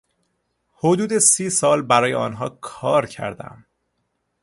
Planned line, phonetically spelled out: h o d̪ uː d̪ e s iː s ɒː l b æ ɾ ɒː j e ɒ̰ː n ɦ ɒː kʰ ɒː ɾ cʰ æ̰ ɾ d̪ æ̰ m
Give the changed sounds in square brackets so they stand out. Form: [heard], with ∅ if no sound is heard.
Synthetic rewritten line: h o d̪ uː d̪ e s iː s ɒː l b æ ɾ ɒː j e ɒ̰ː n ɦ ɒː kʰ ɒː ɾ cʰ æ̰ ɾ d̪ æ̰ m